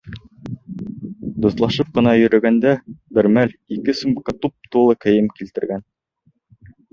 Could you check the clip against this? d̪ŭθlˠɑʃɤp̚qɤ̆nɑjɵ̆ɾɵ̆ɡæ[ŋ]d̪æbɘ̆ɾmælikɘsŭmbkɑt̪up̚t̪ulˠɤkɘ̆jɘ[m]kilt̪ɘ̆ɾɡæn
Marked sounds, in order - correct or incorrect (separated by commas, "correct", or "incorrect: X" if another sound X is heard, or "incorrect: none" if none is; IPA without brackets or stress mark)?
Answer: incorrect: n, correct